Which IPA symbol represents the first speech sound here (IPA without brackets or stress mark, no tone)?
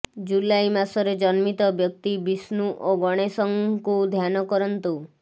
d͡ʒ